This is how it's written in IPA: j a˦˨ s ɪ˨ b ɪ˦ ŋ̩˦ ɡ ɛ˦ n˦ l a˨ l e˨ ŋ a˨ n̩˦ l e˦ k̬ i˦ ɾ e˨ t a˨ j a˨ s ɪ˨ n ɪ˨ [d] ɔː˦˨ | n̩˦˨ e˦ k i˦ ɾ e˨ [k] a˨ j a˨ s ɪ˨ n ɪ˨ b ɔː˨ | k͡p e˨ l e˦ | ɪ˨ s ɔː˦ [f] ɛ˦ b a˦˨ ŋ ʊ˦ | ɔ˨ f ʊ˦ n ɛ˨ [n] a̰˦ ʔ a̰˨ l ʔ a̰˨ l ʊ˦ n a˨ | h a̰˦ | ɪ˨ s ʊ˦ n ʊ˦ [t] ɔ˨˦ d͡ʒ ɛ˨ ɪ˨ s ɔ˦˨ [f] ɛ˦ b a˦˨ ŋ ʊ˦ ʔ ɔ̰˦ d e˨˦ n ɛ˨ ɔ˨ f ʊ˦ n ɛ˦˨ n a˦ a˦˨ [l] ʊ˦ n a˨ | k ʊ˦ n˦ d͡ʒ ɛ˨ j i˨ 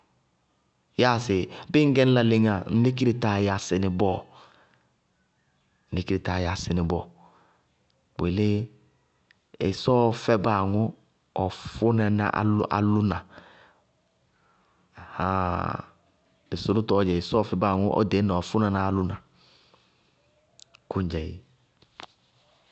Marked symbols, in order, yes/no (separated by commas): no, no, yes, yes, yes, yes, yes